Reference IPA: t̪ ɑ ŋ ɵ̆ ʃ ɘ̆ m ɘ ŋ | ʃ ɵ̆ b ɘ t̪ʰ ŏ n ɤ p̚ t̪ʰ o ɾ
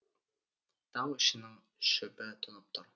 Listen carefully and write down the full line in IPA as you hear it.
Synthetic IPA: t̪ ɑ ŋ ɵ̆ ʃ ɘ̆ n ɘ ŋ | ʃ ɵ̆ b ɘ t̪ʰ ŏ n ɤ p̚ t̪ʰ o ɾ